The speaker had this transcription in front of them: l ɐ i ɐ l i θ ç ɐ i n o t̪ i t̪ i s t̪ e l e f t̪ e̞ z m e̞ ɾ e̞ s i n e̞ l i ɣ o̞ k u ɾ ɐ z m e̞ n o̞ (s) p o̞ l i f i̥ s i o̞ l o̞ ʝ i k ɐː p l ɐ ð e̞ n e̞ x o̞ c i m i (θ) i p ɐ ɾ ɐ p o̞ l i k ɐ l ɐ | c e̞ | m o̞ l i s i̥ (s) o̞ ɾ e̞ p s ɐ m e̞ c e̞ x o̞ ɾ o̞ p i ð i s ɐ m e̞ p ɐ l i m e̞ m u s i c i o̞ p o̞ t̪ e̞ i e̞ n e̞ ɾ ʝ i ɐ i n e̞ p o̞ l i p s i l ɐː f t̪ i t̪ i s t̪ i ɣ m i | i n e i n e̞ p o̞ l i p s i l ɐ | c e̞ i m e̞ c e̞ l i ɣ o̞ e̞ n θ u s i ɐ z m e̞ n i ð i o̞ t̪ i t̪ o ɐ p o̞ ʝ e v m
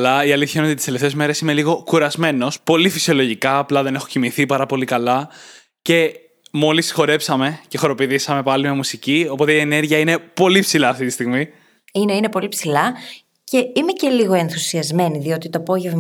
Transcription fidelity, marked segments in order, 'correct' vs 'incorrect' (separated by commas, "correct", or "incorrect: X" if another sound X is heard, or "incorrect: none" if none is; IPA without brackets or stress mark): correct, correct, incorrect: x